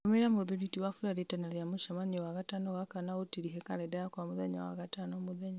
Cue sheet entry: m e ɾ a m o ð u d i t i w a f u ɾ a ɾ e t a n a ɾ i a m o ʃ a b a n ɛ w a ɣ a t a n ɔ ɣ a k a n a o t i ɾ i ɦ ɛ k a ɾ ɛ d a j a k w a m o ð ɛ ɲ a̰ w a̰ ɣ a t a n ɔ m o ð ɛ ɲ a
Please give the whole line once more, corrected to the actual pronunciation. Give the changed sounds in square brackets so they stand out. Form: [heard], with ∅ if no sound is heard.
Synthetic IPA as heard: m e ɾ a m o ð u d i t i w a f u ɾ a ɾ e t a n a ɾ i a m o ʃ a [m] a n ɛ w a ɣ a t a n ɔ ɣ a k a n a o t i ɾ i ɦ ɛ k a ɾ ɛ d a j a k w a m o ð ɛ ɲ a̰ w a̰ ɣ a t a n ɔ m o ð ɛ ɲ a